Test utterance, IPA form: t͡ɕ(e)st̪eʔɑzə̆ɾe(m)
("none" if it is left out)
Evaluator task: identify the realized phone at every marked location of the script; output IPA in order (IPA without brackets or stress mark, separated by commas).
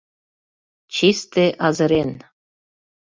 i, n